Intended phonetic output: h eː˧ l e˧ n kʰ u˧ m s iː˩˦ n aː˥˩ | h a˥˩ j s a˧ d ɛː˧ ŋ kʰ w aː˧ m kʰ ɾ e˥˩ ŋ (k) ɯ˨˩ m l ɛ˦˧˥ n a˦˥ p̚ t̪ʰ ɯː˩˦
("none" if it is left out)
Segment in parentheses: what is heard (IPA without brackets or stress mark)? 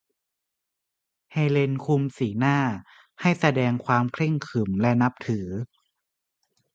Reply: kʰ